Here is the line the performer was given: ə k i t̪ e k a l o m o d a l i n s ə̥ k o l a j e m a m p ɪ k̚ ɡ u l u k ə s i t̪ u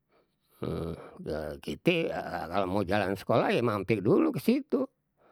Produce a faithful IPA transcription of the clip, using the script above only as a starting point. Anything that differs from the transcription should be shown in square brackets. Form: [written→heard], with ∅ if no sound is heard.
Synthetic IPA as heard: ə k i t̪ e k a l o m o [d→d͡ʒ] a l [i→a] n s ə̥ k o l a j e m a m p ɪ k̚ [ɡ→d] u l u k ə s i t̪ u